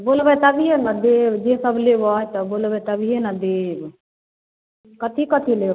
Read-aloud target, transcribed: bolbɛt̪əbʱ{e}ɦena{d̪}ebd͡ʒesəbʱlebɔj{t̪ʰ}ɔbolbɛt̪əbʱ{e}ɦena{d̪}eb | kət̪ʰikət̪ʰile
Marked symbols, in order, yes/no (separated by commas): no, yes, no, no, yes